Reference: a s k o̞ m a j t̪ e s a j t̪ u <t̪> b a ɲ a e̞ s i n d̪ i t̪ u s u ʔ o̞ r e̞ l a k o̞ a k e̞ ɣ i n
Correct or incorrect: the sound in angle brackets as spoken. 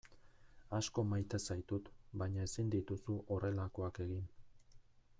correct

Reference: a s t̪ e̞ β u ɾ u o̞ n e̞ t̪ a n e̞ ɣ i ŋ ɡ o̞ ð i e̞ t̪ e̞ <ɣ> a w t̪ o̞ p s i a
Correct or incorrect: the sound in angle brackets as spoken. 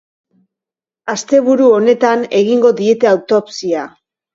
incorrect: none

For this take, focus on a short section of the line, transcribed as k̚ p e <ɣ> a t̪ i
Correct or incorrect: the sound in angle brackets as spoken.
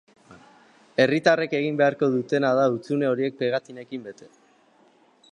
correct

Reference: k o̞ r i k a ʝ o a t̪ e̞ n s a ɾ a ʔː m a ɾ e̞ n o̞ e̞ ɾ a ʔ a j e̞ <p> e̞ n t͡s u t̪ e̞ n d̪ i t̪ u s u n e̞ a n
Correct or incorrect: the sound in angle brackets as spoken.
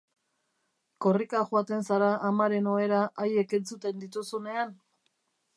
incorrect: k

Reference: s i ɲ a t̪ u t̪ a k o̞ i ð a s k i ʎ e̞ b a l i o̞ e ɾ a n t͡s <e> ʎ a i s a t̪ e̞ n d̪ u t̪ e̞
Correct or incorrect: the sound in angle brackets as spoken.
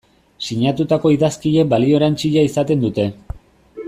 incorrect: i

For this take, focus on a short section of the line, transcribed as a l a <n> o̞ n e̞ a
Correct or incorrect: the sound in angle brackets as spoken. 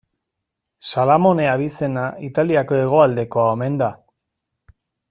incorrect: m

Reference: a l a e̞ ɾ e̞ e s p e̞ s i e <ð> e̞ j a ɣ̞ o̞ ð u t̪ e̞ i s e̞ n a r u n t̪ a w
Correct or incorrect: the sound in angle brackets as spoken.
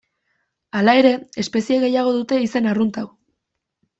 incorrect: ɣ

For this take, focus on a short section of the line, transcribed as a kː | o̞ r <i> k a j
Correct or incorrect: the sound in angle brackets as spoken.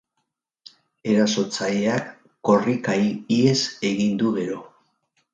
correct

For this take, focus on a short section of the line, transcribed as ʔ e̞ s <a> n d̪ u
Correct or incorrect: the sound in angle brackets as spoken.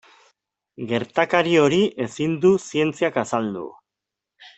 incorrect: i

